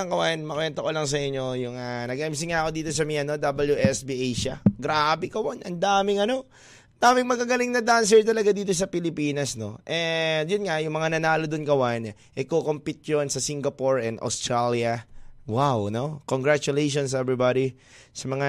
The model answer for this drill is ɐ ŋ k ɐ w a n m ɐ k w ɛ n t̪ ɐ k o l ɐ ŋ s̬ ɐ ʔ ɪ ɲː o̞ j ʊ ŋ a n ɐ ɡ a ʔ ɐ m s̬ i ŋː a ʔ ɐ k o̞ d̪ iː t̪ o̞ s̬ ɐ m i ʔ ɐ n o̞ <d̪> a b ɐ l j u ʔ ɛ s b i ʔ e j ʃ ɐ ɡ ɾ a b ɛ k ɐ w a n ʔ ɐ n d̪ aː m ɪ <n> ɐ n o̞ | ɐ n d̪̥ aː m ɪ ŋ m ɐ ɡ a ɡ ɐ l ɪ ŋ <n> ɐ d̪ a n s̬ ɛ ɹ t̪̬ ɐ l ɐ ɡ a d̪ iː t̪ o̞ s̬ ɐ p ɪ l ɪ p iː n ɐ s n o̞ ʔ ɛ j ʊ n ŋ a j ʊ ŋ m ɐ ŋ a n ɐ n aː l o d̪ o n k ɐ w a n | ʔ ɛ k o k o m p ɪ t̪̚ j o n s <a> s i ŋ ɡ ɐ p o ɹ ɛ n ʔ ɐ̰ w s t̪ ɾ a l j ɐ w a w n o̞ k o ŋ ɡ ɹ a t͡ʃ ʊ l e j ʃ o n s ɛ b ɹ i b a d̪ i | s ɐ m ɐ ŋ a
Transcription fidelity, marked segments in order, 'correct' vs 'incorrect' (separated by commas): correct, incorrect, correct, incorrect